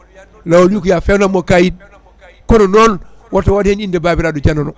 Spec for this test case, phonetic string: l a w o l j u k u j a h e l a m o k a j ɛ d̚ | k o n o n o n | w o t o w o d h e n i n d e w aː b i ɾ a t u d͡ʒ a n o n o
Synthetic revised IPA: l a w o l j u k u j a f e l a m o k a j i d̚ | k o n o n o n | w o t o w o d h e n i n d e b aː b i ɾ a d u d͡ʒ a n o n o